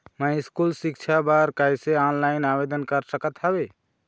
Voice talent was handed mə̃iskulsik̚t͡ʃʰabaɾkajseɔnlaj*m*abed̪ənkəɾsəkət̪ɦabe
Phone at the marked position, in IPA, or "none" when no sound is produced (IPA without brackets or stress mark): n